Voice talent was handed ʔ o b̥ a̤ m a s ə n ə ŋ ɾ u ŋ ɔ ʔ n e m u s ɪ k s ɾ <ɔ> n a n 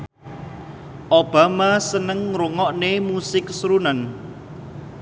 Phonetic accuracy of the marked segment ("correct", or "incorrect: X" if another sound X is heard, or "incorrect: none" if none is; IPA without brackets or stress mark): incorrect: u